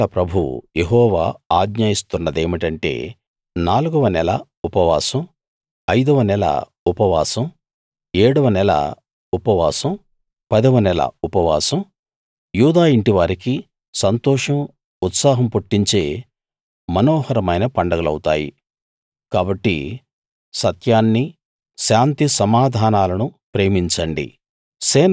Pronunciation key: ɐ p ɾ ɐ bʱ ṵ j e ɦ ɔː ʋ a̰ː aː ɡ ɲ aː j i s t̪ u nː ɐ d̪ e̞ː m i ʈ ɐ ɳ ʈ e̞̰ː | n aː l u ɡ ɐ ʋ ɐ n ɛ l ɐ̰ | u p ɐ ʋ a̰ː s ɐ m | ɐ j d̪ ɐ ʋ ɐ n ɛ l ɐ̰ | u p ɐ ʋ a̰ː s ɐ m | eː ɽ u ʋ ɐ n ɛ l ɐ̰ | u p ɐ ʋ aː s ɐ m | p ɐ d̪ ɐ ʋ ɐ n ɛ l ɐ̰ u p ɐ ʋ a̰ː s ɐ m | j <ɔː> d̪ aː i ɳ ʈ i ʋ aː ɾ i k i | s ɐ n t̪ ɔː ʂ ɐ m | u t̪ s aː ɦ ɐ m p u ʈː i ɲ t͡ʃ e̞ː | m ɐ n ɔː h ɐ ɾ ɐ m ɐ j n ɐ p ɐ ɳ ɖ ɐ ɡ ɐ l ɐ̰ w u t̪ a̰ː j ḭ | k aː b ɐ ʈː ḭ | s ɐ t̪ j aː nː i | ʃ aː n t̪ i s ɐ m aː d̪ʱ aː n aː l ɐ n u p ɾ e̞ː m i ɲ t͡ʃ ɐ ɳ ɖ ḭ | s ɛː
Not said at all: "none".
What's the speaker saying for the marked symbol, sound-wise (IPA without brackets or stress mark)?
uː